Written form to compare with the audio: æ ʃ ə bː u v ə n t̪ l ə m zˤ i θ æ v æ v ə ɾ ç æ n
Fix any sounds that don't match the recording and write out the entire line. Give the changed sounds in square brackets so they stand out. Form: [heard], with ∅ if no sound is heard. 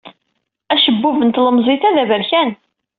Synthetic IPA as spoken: æ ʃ ə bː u v ə n t̪ l ə m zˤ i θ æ [ð] æ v ə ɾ ç æ n